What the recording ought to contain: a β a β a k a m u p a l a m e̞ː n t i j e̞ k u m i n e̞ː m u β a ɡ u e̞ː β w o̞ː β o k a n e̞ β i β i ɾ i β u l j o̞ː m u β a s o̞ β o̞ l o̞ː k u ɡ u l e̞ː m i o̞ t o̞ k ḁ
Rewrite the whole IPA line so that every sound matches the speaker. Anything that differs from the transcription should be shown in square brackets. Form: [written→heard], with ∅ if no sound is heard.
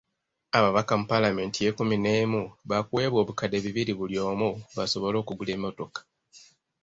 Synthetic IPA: a β a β a k a m u p a l a m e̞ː n t i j e̞ k u m i n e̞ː m u β a [ɡ→k] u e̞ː β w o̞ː β [o→u] k a [n→d] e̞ β i β i ɾ i β u l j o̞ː m u β a s o̞ β o̞ l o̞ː k u ɡ u l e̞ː m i o̞ t o̞ k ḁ